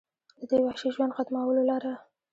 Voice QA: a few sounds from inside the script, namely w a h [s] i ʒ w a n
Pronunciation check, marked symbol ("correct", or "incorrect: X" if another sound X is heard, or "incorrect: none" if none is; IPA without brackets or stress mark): incorrect: ʃ